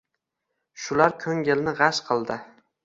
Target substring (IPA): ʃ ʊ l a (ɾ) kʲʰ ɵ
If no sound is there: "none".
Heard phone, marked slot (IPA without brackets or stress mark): ɾ